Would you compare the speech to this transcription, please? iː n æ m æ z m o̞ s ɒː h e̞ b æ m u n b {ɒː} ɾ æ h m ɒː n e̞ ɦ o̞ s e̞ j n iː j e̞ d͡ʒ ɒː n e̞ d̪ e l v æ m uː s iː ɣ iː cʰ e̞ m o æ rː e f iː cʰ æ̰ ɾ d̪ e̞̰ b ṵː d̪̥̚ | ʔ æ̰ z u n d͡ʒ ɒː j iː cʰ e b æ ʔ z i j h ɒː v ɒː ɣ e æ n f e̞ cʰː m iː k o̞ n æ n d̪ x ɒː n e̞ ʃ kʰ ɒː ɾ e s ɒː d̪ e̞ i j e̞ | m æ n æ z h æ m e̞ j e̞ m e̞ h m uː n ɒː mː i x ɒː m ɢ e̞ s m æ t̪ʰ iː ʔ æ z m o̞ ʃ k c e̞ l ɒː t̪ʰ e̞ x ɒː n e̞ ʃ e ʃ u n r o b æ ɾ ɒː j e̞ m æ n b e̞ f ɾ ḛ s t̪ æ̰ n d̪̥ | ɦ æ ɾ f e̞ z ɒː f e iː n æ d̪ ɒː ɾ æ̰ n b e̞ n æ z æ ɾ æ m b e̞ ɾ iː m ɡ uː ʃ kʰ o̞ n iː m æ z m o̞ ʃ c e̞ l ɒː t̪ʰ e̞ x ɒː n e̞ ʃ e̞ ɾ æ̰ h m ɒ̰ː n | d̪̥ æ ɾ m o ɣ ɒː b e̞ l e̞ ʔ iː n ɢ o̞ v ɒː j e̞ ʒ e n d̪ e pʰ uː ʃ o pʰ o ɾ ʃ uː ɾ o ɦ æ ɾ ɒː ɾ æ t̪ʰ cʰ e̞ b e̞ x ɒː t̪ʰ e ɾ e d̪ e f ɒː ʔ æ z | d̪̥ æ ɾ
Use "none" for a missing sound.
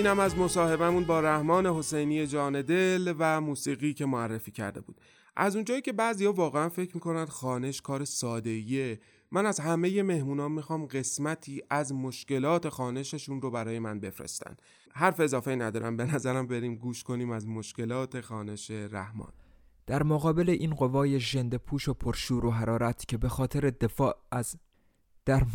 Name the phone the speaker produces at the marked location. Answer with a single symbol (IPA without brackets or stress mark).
ɒː